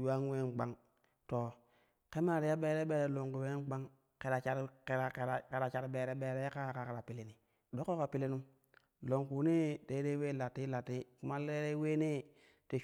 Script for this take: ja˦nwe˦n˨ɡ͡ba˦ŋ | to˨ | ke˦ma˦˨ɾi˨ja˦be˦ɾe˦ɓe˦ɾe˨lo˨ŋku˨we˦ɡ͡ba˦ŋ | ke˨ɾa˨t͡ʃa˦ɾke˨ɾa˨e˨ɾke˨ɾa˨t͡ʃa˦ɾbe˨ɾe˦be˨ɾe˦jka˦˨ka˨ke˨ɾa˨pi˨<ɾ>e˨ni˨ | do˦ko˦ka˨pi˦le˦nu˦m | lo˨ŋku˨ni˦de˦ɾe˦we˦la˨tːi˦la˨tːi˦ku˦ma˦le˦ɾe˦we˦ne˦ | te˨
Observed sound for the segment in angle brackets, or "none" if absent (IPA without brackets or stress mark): l